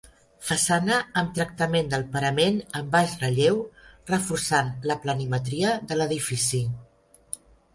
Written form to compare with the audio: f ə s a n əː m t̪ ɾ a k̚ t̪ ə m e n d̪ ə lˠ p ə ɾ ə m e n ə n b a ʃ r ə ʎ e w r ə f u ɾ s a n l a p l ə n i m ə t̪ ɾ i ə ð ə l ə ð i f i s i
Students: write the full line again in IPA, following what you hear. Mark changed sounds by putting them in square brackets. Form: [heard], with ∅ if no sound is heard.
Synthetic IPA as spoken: f ə s a n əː m t̪ ɾ [ə] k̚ t̪ ə m e n d̪ ə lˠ p ə ɾ ə m e n ə [m] b a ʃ r ə ʎ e w r ə f u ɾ s a n l [ə] p l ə n i m ə t̪ ɾ i ə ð ə l ə ð i f i s i